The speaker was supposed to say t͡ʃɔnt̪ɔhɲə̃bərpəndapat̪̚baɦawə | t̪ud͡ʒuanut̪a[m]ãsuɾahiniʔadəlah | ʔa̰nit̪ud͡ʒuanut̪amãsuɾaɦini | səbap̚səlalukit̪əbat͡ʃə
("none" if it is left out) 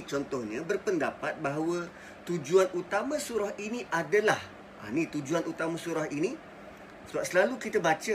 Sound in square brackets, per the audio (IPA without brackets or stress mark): m